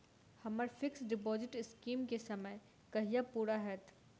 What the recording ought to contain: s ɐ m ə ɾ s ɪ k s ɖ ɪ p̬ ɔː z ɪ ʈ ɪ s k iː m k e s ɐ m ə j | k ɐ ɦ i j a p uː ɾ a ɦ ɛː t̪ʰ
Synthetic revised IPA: h ɐ m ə ɾ f ɪ k s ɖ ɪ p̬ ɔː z ɪ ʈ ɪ s k iː m k e s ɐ m ə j | k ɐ ɦ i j a p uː ɾ a ɦ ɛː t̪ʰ